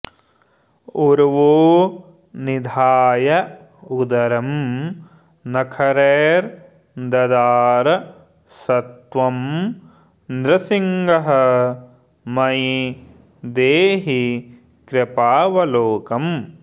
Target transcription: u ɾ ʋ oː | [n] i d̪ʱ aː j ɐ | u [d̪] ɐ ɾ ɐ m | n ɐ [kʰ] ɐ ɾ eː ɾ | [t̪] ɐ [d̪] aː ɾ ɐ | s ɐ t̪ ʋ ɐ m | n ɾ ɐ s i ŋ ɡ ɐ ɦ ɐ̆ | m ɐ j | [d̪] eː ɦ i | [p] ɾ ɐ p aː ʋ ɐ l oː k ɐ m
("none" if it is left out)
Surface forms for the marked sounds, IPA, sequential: n, d̪, kʰ, d̪, d̪, d̪, k

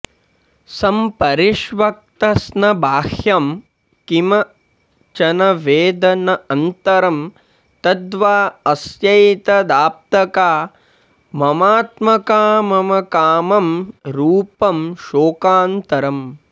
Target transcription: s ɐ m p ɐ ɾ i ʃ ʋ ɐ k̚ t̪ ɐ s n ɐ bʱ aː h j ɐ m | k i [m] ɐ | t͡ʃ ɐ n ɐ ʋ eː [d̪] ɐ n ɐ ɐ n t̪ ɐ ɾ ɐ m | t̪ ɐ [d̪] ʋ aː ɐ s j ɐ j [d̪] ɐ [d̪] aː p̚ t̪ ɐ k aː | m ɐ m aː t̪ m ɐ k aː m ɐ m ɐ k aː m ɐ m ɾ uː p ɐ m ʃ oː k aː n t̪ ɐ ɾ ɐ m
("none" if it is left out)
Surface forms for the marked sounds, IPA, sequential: m, d̪, d̪, t̪, d̪

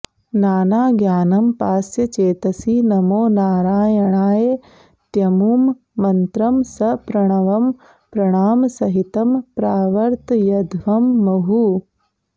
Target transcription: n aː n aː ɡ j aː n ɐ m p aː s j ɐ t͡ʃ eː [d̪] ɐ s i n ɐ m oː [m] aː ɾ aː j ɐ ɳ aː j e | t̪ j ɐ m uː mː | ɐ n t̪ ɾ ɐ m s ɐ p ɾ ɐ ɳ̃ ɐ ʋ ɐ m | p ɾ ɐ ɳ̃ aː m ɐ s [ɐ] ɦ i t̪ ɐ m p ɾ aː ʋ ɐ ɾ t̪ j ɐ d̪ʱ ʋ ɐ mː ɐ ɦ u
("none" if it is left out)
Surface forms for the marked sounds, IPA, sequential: t̪, n, ɐ

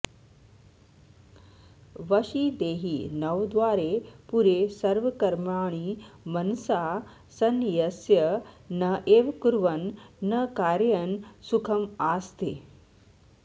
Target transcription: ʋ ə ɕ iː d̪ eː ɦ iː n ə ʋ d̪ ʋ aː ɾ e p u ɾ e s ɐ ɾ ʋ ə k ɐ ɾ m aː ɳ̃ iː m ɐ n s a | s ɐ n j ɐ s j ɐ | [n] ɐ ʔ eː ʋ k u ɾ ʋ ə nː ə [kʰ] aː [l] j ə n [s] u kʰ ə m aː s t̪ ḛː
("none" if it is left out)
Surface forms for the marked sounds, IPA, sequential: n, k, ɾ, s

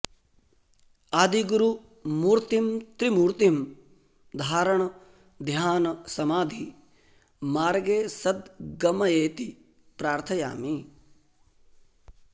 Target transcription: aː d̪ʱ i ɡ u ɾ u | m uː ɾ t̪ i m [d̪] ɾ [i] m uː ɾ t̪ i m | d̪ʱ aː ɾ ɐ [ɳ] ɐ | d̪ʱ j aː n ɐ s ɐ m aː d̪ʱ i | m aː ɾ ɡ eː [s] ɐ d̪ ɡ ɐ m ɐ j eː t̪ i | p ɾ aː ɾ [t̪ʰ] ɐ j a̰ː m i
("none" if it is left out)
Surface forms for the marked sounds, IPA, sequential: t̪, i, ɳ, s, t̪ʰ

